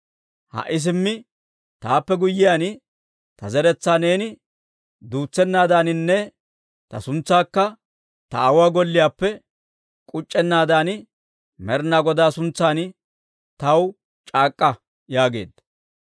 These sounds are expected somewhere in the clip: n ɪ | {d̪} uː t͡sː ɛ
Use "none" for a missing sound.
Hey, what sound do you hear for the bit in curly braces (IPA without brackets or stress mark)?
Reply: d̪